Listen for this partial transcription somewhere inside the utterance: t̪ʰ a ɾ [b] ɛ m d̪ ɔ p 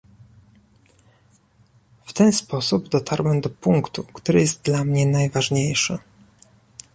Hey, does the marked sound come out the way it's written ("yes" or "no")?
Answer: no